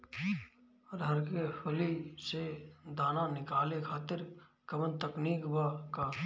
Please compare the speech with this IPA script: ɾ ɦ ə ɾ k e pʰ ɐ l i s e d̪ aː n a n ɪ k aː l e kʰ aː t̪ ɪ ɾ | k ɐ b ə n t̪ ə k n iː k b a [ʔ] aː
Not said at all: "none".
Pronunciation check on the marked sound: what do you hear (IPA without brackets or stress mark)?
k